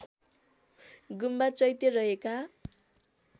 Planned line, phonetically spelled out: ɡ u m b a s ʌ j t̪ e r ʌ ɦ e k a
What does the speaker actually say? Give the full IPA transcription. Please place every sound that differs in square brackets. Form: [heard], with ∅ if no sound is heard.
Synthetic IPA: ɡ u m b a [t͡s] ʌ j t̪ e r ʌ ɦ e k a